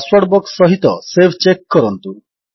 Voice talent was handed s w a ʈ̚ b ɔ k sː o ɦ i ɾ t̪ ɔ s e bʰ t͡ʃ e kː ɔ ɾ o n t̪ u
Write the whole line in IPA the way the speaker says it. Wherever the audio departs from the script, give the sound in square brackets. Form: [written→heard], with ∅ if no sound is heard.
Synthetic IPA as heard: s w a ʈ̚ b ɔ k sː [o→ɔ] ɦ i [ɾ→∅] t̪ ɔ s e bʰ t͡ʃ e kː ɔ ɾ [o→ɔ] n t̪ u